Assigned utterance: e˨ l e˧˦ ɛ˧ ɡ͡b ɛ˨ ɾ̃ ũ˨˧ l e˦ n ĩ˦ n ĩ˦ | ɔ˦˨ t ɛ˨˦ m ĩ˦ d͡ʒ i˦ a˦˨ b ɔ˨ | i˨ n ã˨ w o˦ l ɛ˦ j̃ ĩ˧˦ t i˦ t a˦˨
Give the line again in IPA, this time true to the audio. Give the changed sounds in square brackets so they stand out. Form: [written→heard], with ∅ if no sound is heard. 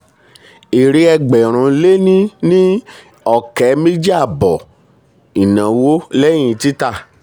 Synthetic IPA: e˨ [l→ɾ] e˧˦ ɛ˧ ɡ͡b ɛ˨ ɾ̃ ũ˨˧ l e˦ n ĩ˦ n ĩ˦ | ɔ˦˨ [t→k] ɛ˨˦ m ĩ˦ d͡ʒ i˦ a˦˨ b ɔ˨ | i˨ n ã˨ w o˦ l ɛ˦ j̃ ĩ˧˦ t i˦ t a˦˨

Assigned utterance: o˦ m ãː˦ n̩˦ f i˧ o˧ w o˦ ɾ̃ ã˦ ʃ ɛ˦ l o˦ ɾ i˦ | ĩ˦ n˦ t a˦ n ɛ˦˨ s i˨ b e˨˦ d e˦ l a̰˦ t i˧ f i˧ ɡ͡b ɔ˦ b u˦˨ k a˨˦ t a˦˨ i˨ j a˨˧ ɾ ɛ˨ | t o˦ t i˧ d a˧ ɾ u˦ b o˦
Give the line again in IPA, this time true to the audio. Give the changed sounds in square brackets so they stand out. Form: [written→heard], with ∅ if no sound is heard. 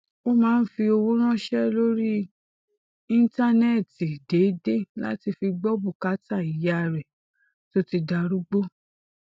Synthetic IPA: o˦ m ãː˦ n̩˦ f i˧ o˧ w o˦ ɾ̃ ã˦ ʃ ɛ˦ l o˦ ɾ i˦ | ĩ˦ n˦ t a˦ n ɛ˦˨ [s→t] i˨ [b→d] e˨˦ d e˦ l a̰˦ t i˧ f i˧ ɡ͡b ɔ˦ b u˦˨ k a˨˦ t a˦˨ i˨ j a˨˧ ɾ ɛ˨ | t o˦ t i˧ d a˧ ɾ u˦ [b→ɡ͡b] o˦

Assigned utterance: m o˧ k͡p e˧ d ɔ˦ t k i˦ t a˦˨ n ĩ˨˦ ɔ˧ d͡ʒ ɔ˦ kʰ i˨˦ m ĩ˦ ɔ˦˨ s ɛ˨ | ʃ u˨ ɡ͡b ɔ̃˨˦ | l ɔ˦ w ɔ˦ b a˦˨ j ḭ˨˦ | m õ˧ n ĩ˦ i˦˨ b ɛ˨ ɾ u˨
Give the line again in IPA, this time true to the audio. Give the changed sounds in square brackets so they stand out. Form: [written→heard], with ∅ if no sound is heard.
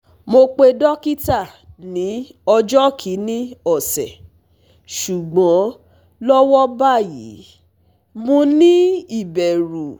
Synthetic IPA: m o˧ k͡p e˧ d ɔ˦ [t→∅] k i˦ t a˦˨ n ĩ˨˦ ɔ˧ d͡ʒ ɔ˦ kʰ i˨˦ [m→n] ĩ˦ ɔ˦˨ s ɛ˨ | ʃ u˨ ɡ͡b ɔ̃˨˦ | l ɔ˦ w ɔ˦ b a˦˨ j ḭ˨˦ | m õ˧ n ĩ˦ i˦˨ b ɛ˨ ɾ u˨

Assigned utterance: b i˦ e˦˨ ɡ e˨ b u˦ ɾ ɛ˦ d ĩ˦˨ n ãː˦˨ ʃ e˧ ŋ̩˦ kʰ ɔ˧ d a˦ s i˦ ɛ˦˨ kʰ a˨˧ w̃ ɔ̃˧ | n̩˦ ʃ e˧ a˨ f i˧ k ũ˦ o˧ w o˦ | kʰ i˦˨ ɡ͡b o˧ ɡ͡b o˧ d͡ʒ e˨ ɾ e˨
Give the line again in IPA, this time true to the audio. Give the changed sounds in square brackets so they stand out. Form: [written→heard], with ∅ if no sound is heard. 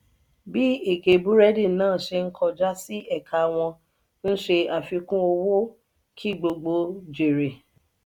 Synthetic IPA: b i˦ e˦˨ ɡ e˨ b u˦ ɾ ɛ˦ d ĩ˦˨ n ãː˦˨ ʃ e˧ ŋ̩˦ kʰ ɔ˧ [d→d͡ʒ] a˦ s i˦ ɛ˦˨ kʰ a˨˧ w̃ ɔ̃˧ | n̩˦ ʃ e˧ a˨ f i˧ k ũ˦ o˧ w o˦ | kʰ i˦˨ ɡ͡b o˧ ɡ͡b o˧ d͡ʒ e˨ ɾ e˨

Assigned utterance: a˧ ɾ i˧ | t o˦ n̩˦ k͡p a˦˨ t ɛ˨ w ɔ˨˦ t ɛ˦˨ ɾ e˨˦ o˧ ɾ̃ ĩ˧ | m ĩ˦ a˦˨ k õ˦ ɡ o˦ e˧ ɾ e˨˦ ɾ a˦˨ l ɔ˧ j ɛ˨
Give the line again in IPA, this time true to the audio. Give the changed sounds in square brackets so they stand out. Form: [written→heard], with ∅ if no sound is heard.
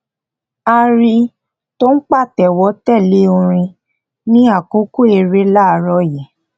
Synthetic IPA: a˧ ɾ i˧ | t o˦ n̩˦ k͡p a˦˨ t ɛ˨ w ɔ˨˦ t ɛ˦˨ [ɾ→l] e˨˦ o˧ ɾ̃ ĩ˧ | [m→n] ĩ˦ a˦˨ k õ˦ [ɡ→k] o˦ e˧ ɾ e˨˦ [ɾ→l] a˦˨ [l→ɾ] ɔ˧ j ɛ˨

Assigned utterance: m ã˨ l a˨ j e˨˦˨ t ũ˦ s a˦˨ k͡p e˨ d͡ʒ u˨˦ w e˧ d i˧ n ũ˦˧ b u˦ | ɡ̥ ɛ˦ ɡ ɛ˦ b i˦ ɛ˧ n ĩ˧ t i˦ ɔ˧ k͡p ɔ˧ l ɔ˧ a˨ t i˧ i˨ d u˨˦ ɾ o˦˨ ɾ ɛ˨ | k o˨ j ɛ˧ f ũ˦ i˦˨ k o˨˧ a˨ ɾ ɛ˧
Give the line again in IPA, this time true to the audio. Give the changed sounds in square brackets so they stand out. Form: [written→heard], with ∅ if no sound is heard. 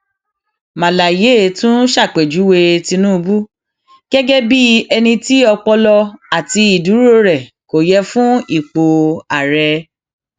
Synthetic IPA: m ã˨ l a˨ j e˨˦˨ t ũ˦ [s→ʃ] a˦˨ k͡p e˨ d͡ʒ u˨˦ w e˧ [d→t] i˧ n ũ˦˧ b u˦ | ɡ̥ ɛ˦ ɡ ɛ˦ b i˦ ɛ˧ n ĩ˧ t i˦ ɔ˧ k͡p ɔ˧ l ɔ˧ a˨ t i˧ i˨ d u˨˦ ɾ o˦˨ ɾ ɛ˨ | k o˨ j ɛ˧ f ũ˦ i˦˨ [k→k͡p] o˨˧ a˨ ɾ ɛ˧

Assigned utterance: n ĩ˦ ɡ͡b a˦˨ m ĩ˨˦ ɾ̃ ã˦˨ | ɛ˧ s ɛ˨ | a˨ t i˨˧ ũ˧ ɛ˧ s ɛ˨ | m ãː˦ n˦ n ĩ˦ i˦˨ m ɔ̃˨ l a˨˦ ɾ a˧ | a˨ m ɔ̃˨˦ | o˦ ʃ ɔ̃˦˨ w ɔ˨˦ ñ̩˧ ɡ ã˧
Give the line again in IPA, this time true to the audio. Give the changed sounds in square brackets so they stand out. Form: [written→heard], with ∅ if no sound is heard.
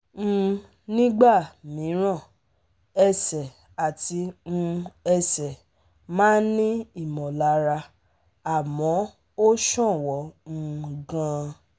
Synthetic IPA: n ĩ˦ ɡ͡b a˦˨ m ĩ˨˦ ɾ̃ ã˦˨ | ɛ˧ s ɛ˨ | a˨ t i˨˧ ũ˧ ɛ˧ s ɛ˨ | m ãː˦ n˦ n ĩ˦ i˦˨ m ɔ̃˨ l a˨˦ ɾ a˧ | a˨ m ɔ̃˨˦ | o˦ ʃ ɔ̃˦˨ w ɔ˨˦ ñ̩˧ ɡ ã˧

